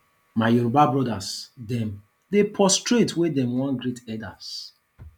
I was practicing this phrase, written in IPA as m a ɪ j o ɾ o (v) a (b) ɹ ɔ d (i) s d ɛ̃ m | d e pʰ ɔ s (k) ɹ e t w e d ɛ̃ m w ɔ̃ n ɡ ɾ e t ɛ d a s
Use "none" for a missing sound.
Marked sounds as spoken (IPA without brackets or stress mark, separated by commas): b, b, a, t